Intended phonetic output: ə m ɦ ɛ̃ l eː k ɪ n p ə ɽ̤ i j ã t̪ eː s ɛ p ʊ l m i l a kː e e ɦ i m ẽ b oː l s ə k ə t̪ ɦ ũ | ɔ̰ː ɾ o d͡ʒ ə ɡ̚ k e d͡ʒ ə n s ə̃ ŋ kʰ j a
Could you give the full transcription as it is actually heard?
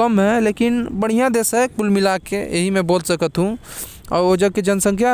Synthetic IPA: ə m ɦ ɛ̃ l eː k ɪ n b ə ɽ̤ i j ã d̪ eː s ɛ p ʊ l m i l a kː e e ɦ i m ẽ b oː l s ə k ə t̪ ɦ ũ | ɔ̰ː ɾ o d͡ʒ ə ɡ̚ k e d͡ʒ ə n s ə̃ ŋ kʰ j a